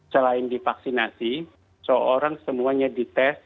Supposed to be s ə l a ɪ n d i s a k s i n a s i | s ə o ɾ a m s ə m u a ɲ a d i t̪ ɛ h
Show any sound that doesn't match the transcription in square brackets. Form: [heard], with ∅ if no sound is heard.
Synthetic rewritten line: s ə l a ɪ n d i [f] a k s i n a s i | s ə o ɾ a [ŋ] s ə m u a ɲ a d i t̪ ɛ [s]